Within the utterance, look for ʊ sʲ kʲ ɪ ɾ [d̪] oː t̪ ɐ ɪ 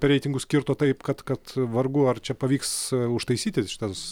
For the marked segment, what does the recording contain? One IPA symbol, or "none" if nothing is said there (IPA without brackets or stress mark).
t̪